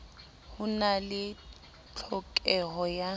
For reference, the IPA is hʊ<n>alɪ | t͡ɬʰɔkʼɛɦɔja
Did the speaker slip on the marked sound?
no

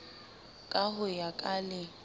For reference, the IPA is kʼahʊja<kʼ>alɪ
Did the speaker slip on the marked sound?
no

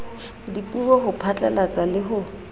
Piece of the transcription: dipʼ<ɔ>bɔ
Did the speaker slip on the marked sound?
yes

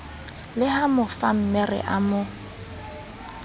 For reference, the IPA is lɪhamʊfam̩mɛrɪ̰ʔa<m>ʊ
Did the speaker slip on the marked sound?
no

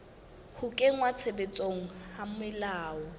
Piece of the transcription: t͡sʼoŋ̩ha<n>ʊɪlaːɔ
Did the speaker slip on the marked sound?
yes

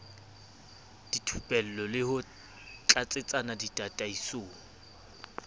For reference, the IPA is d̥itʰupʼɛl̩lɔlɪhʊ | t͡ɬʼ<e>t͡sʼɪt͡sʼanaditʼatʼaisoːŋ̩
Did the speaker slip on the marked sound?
yes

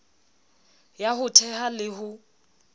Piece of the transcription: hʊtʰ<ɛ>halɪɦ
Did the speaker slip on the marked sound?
no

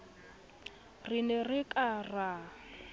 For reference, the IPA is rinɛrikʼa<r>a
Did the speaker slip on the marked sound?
no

